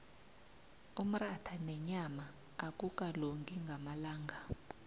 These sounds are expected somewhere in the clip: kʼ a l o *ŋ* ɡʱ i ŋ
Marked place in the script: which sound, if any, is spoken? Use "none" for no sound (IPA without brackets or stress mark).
ŋ